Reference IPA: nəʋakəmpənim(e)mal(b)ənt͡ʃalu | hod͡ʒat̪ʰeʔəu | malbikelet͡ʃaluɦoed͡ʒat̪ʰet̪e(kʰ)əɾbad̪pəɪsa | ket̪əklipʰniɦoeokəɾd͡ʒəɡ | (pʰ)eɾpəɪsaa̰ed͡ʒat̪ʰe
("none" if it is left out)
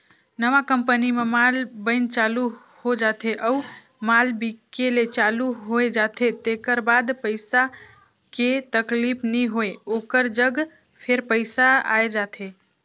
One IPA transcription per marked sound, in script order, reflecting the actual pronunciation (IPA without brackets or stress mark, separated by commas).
e, b, k, pʰ